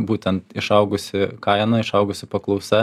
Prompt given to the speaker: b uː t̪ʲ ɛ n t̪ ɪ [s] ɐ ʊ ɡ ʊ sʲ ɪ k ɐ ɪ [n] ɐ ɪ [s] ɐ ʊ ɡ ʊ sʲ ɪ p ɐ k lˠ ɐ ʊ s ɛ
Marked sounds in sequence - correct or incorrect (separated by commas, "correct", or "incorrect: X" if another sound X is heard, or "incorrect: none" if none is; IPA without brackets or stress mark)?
incorrect: ʃ, correct, incorrect: ʃ